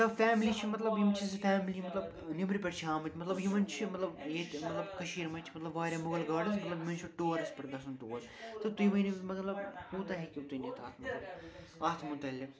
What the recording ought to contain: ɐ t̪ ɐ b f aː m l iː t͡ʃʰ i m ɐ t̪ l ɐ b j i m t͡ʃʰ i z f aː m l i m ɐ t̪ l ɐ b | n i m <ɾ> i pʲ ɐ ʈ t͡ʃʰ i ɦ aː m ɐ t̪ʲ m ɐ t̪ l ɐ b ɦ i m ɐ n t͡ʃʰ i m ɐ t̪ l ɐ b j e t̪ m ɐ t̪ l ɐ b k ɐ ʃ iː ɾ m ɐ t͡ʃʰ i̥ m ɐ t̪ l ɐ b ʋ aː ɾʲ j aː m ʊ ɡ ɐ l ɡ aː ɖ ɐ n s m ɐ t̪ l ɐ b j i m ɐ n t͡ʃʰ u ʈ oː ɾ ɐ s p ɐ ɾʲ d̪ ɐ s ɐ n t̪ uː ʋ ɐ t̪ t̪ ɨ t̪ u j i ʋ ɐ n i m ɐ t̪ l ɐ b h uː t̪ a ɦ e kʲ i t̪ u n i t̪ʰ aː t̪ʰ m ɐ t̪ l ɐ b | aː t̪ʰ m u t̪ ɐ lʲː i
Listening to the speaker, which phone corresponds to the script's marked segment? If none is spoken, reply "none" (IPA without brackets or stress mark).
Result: ɾ